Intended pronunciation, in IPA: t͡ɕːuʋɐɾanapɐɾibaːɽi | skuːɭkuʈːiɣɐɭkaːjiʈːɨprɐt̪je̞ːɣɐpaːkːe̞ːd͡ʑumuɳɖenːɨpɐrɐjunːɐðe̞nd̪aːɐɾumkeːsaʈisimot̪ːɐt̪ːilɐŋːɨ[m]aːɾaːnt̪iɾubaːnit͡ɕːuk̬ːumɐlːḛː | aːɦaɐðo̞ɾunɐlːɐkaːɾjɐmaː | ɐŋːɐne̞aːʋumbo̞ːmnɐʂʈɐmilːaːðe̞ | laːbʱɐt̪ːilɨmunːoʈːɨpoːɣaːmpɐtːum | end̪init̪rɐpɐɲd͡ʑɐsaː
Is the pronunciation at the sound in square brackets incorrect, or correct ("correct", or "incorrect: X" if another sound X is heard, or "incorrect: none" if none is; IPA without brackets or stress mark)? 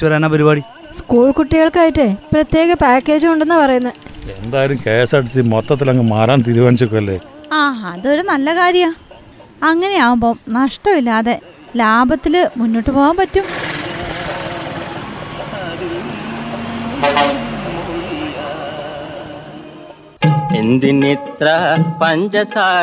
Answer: correct